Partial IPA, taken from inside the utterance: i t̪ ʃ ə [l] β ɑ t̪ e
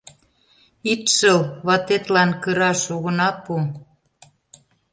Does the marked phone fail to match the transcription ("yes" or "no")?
no